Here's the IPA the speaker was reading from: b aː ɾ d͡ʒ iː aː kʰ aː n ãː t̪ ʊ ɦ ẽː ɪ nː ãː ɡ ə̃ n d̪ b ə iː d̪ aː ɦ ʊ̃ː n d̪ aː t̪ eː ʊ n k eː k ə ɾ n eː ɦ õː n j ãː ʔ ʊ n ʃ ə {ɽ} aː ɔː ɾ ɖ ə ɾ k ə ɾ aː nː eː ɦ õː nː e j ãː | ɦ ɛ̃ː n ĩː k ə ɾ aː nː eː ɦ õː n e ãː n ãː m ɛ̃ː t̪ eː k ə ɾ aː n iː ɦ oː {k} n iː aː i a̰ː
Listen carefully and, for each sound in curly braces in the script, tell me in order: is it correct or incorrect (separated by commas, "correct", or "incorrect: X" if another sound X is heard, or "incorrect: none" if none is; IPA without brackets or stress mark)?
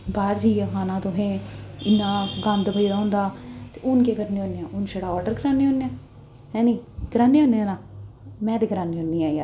correct, incorrect: none